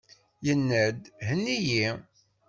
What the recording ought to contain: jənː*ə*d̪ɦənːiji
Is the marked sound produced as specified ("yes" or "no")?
yes